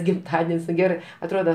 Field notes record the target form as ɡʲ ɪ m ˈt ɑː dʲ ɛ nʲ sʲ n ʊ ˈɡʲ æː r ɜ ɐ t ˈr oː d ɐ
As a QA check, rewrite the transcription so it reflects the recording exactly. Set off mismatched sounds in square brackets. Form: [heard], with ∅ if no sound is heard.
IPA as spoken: ɡʲ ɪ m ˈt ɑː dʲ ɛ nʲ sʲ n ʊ ˈɡʲ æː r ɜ ɐ t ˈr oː d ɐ